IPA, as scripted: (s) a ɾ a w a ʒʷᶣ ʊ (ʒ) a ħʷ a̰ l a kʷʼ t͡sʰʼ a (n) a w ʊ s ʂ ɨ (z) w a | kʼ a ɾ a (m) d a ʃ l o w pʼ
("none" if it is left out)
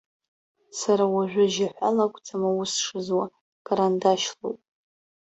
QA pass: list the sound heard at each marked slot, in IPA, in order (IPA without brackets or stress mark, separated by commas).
s, ʒ, m, z, n